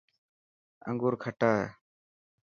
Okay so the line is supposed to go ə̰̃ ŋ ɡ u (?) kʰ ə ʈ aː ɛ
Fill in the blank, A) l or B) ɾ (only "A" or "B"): B